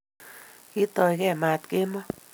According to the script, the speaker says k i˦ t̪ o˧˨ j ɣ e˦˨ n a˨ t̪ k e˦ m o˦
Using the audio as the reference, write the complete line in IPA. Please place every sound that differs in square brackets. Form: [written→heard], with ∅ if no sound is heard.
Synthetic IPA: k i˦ t̪ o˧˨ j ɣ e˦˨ [n→m] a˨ t̪ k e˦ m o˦